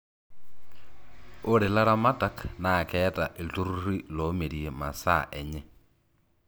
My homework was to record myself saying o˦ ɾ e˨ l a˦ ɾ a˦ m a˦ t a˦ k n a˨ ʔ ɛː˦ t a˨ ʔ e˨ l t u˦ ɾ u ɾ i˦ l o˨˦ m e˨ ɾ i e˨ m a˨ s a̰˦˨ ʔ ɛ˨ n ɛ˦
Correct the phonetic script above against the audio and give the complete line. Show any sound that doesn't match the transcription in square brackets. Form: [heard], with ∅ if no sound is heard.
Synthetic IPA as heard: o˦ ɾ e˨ l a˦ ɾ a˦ m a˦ t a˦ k n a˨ [k] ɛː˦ t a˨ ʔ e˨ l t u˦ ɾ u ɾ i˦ l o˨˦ m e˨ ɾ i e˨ m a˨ s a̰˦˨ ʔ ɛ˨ [ɲ] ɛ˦